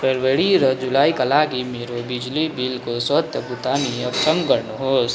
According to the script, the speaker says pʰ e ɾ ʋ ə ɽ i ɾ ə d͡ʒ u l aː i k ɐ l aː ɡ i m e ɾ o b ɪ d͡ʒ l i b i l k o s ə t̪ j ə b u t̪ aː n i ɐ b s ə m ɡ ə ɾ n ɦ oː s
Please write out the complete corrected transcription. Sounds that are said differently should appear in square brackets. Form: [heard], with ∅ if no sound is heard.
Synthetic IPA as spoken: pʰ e ɾ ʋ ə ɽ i ɾ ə d͡ʒ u l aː i k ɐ l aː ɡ i m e ɾ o b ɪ d͡ʒ l i b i l k o s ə t̪ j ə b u t̪ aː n i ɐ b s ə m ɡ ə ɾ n ɦ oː s